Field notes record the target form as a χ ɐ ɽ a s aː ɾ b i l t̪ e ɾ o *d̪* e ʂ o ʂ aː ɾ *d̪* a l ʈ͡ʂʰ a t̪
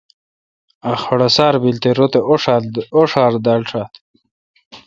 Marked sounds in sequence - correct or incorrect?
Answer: incorrect: t̪, correct

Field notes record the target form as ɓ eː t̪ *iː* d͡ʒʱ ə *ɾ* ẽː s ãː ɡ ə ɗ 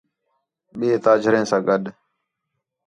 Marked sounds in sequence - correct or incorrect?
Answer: incorrect: aː, correct

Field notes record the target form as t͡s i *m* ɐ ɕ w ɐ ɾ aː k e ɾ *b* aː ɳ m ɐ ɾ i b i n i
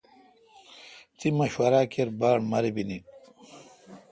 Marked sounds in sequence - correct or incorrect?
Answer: correct, correct

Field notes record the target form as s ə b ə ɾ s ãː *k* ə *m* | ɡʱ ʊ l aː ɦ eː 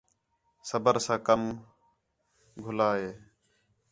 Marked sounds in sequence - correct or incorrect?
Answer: correct, correct

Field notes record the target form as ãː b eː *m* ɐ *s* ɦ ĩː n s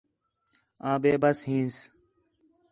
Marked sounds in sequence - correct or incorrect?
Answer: incorrect: b, correct

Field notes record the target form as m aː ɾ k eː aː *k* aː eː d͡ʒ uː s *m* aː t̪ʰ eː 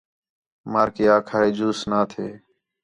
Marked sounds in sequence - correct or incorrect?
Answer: incorrect: kʰ, incorrect: n

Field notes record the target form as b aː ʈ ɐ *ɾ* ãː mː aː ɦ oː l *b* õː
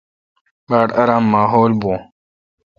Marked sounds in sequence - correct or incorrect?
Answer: correct, correct

